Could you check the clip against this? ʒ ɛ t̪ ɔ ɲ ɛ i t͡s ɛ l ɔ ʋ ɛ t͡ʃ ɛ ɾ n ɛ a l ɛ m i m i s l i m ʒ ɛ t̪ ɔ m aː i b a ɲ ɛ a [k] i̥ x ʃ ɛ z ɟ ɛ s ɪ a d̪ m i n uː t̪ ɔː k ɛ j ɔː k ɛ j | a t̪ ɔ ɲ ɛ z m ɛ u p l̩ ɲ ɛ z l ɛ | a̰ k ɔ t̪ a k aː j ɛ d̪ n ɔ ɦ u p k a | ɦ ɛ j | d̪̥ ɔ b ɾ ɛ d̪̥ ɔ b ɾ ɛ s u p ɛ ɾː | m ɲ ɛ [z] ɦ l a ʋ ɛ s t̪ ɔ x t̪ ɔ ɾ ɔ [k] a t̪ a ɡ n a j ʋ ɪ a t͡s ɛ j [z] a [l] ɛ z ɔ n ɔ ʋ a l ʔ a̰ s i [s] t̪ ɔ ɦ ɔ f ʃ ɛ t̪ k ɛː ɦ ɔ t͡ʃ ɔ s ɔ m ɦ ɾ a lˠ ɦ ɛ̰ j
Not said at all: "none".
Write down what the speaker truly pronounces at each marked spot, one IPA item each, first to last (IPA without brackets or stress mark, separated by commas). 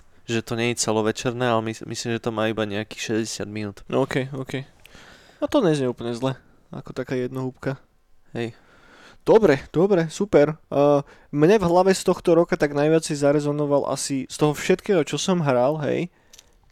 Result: k, v, k, z, ɾ, s